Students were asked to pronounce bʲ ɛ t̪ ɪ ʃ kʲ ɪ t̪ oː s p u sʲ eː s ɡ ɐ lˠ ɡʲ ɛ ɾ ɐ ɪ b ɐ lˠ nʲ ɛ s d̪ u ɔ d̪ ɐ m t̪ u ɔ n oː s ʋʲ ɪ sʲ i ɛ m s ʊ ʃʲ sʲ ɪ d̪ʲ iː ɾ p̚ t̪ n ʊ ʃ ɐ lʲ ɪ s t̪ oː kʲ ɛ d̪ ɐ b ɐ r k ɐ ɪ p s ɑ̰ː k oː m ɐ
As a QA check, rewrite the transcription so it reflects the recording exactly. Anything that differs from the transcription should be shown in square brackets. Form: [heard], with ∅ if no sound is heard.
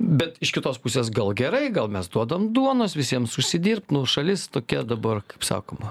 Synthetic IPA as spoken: bʲ ɛ t̪ ɪ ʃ kʲ ɪ t̪ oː s p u sʲ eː s ɡ ɐ lˠ ɡʲ ɛ ɾ ɐ ɪ [ɡ] ɐ lˠ [mʲ] ɛ s d̪ u ɔ d̪ ɐ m [d̪] u ɔ n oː s ʋʲ ɪ sʲ i ɛ m s ʊ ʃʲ sʲ ɪ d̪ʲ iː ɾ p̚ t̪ n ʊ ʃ ɐ lʲ ɪ s t̪ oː kʲ ɛ d̪ ɐ b ɐ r k ɐ ɪ p s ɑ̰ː k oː m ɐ